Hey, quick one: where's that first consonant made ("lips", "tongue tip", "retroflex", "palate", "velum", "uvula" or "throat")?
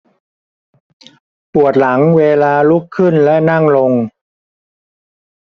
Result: lips